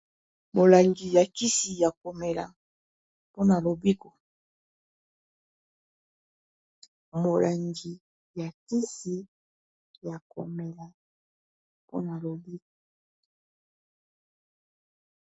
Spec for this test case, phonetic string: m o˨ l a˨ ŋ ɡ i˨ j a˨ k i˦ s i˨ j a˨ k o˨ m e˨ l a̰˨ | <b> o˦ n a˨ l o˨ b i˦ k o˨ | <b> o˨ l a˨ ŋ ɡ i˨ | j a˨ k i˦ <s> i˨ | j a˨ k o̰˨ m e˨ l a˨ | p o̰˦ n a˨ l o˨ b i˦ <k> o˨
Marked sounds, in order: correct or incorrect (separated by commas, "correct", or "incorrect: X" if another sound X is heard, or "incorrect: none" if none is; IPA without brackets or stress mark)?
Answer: incorrect: p, incorrect: m, correct, correct